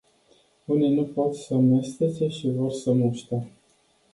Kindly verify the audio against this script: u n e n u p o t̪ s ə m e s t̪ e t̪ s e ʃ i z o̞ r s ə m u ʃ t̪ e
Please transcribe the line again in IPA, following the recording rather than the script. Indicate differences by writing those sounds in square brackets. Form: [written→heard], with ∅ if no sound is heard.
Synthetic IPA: u n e n u p o t̪ s ə m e s t̪ e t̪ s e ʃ i [z→v] o̞ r s ə m u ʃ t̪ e